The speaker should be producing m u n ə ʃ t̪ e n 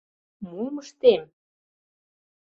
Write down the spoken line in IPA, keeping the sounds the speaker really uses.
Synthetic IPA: m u m ə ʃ t̪ e m